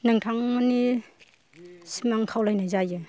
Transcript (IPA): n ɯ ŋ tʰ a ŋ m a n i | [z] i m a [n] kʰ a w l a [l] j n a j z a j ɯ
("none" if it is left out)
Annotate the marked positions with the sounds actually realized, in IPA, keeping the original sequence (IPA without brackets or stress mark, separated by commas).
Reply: s, ŋ, none